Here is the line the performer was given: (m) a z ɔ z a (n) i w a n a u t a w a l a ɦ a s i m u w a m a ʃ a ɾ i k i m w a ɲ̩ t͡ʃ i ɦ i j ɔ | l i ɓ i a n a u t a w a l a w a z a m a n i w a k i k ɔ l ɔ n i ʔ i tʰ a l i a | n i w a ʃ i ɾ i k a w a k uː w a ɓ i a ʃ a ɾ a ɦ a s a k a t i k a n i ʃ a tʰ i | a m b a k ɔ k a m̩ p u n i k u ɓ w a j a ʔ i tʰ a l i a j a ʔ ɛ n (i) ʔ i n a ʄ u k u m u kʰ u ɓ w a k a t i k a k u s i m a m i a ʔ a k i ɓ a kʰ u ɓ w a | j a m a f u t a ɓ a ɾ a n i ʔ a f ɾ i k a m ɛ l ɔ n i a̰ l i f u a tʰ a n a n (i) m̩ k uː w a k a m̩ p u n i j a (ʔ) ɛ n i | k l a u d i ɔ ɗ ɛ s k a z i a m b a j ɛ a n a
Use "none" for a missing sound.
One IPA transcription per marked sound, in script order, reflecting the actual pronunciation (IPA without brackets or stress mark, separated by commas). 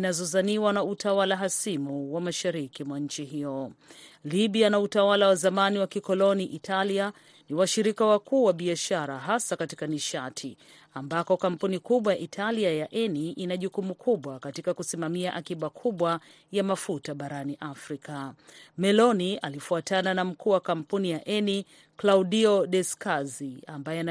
n, n, i, a, ʔ